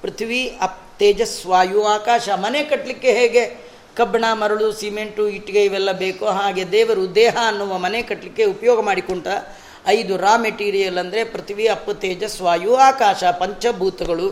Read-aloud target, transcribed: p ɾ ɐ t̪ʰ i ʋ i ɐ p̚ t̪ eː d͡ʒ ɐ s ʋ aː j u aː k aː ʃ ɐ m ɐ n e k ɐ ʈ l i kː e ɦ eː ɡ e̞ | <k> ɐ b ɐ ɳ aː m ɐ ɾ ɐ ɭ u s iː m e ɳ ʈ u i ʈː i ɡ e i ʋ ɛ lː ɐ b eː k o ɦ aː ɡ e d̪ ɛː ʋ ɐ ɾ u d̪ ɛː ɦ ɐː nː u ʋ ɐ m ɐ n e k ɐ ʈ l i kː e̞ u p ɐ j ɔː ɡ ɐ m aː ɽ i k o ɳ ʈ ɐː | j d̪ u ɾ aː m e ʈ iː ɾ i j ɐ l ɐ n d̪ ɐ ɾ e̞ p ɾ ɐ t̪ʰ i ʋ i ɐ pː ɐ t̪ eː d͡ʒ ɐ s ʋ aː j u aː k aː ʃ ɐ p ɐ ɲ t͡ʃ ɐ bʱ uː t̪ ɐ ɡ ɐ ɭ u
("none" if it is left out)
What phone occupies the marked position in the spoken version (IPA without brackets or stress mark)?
k